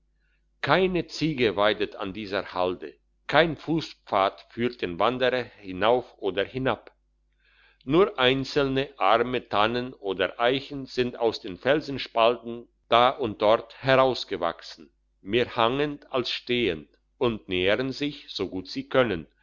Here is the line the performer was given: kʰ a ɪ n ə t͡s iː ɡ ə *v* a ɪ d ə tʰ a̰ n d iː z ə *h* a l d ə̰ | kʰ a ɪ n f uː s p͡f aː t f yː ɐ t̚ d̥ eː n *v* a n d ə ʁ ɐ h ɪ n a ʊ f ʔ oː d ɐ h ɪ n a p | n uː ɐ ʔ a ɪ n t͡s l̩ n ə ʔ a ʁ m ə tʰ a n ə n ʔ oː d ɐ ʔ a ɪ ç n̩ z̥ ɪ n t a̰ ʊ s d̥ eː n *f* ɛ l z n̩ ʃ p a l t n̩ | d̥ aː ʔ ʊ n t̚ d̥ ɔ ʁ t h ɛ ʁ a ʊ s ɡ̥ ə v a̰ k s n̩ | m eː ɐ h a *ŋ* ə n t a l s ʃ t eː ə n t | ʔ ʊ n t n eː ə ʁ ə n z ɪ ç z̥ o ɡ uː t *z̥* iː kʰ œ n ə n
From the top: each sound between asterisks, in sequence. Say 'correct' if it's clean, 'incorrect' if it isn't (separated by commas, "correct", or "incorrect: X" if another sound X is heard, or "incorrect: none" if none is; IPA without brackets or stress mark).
correct, correct, correct, correct, correct, correct